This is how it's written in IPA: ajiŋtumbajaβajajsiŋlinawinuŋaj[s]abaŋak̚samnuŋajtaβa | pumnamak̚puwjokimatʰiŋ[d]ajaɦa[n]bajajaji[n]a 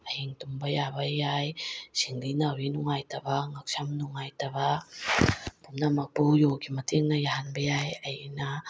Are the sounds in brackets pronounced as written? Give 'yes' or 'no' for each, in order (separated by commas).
no, no, yes, yes